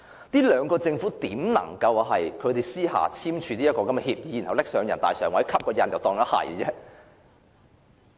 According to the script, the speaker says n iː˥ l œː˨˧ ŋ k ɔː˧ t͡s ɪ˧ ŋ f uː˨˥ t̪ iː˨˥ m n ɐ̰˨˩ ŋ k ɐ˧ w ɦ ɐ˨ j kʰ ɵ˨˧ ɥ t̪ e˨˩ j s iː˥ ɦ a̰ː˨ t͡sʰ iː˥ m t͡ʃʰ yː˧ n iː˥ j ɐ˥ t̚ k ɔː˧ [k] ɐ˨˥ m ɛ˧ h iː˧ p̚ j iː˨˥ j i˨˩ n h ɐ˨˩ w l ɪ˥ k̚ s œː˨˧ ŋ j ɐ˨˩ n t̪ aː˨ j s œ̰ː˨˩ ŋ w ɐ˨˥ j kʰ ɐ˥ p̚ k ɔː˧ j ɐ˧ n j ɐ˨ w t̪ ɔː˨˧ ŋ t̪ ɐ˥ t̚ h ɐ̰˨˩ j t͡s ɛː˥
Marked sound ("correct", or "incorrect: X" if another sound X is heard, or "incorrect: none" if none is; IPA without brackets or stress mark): correct